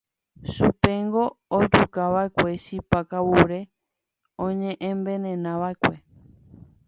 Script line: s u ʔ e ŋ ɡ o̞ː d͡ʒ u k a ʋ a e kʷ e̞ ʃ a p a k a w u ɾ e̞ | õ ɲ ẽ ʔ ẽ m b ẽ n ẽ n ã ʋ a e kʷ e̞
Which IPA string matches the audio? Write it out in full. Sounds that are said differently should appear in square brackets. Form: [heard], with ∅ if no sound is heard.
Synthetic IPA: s u [p] e ŋ ɡ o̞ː d͡ʒ u k a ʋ a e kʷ e̞ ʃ [i] p a k a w u ɾ e̞ | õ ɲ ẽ ʔ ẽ m b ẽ n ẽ n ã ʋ a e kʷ e̞

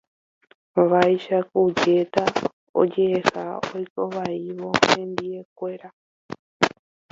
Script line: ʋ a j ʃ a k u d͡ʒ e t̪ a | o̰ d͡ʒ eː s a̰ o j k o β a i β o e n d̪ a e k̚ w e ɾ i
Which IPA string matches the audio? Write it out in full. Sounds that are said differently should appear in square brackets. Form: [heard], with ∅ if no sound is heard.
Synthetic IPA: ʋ a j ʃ a k u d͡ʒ e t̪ a | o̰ d͡ʒ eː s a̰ o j k o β a i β o e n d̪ [i] e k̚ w e ɾ [a]

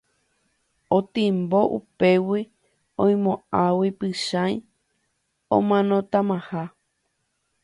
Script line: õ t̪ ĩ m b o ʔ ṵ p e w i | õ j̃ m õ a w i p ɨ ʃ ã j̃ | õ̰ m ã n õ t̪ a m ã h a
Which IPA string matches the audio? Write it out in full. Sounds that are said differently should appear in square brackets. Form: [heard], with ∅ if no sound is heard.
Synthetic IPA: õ t̪ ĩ m b o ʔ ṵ p e w i | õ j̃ m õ a w i p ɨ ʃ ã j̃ | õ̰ m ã n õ t̪ a m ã h a

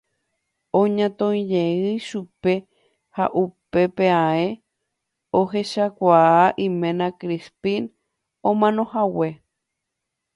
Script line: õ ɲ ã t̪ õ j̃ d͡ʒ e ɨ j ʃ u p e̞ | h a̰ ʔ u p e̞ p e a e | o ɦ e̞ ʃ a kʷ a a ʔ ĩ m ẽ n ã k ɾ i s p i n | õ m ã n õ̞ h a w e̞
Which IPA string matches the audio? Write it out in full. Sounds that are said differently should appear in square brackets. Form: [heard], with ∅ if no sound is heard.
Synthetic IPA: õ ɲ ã t̪ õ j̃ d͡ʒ e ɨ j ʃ u p e̞ | h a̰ ʔ u p e̞ p e a e | o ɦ e̞ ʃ a kʷ a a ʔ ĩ m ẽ n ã k ɾ i s p i n | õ m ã n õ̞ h a w e̞

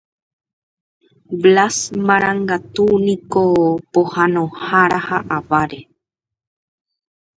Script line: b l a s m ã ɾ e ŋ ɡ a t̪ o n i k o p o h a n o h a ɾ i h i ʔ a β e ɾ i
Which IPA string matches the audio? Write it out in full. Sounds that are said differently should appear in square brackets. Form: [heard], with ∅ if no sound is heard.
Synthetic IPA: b l a s m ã ɾ [a] ŋ ɡ a t̪ [u] n i k o p o h a n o h a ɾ [a] h [a] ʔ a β [a] ɾ [e]

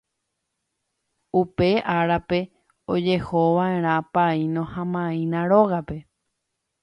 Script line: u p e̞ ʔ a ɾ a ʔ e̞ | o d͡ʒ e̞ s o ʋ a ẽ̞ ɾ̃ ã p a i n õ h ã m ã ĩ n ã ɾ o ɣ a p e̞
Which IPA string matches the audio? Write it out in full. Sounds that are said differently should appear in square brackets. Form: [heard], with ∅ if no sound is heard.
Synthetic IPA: u p e̞ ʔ a ɾ a [p] e̞ | o d͡ʒ e̞ [h] o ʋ a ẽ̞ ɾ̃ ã p a i n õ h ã m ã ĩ n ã ɾ o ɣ a p e̞

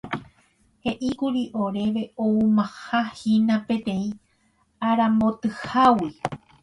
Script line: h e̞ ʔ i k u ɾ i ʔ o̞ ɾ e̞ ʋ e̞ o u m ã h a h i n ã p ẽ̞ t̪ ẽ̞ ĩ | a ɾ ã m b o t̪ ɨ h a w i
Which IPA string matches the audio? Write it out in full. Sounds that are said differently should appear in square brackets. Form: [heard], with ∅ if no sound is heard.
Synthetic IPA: h e̞ ʔ i k u ɾ i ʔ o̞ ɾ e̞ ʋ e̞ o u m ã h a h i n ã p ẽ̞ t̪ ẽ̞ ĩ | a ɾ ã m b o t̪ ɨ h a w i

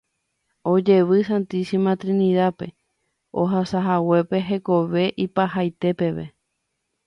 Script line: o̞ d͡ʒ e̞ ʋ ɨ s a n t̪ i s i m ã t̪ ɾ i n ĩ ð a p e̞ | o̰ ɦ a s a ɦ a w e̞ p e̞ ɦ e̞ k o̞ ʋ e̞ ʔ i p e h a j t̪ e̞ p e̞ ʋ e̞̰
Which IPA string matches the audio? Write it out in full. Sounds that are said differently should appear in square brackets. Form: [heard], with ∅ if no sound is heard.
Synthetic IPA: o̞ d͡ʒ e̞ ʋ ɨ s a n t̪ i s i m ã t̪ ɾ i n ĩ ð a p e̞ | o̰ ɦ a s a ɦ a w e̞ p e̞ ɦ e̞ k o̞ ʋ e̞ ʔ i p [a] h a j t̪ e̞ p e̞ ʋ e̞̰

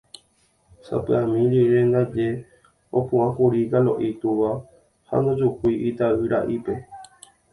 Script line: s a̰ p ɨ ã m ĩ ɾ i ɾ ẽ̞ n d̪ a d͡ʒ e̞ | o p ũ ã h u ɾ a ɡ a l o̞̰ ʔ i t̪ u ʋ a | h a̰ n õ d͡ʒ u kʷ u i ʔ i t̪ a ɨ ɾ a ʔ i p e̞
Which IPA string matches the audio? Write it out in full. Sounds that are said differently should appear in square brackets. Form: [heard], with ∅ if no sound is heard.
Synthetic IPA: s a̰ p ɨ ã m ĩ ɾ i ɾ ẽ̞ n d̪ a d͡ʒ e̞ | o p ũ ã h u ɾ [i] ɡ a l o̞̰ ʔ i t̪ u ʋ a | h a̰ n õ d͡ʒ u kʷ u i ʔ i t̪ a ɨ ɾ a ʔ i p e̞

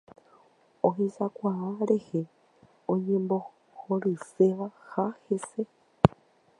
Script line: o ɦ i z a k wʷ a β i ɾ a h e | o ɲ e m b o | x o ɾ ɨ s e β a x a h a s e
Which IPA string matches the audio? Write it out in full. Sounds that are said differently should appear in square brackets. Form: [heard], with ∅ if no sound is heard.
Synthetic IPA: o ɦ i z a k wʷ a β [a] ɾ [e] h e | o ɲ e m b o | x o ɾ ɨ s e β a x a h [e] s e

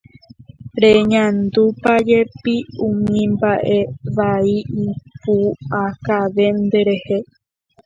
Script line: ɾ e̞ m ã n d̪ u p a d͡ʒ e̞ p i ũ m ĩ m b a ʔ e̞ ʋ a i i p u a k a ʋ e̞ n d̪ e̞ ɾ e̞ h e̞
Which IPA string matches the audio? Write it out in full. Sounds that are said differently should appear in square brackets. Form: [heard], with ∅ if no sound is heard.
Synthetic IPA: ɾ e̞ [ɲ] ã n d̪ u p a d͡ʒ e̞ p i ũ m ĩ m b a ʔ e̞ ʋ a i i p u a k a ʋ e̞ n d̪ e̞ ɾ e̞ h e̞

